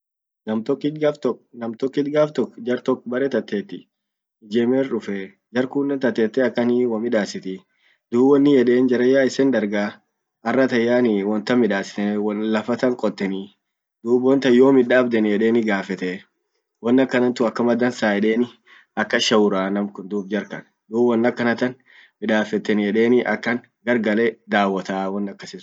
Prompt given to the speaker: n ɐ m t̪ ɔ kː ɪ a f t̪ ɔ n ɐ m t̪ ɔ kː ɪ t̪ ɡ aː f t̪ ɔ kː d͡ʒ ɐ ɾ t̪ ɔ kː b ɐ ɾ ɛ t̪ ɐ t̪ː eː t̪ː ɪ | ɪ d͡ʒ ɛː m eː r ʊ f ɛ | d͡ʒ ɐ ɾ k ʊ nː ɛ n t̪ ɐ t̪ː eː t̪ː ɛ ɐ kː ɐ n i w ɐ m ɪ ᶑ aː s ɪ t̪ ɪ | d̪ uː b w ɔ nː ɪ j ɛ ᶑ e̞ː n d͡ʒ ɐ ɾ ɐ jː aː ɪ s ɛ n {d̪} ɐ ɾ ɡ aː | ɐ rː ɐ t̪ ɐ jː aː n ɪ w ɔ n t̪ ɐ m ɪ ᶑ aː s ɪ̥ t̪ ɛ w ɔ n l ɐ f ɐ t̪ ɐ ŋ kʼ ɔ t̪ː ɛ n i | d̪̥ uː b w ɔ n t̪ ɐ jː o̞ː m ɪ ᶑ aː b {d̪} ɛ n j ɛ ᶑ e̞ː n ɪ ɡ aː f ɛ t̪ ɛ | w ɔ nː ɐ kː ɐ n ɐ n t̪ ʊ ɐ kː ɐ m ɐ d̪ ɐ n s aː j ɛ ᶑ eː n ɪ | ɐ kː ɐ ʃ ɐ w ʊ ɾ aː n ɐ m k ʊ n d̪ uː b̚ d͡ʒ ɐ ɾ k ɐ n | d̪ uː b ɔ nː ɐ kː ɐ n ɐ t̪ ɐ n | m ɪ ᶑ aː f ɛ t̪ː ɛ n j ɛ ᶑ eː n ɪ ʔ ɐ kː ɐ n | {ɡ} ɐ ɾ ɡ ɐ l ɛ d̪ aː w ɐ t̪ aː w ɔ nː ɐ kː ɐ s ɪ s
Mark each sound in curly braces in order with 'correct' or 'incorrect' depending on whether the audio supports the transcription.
correct, correct, correct

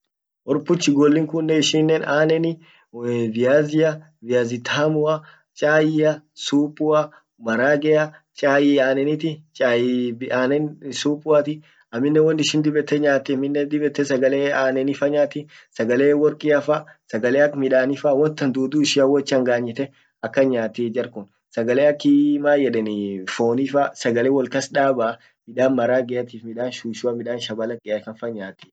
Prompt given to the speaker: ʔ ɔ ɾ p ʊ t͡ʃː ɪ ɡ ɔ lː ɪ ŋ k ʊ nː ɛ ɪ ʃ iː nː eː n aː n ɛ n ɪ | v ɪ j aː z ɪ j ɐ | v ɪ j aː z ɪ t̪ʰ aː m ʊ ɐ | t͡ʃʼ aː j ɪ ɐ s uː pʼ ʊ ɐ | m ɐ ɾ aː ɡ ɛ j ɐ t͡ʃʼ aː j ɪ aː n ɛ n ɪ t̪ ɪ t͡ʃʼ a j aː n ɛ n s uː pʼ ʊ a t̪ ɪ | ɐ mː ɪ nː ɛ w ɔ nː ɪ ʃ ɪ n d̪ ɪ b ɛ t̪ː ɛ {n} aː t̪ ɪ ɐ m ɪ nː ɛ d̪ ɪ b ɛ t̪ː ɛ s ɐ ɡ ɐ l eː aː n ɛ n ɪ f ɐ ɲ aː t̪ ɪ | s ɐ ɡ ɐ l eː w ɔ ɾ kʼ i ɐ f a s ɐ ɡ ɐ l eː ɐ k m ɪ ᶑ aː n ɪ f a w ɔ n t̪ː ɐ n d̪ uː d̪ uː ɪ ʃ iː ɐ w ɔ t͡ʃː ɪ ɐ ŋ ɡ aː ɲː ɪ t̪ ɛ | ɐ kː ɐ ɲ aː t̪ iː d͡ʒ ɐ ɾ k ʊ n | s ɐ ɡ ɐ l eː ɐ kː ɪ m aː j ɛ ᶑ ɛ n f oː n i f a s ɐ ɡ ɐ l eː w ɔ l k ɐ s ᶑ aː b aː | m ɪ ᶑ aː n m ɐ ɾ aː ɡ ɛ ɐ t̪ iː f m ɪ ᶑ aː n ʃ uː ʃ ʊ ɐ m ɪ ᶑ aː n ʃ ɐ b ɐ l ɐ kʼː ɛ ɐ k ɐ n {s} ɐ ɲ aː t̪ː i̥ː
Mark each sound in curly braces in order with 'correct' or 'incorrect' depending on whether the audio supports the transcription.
incorrect, incorrect

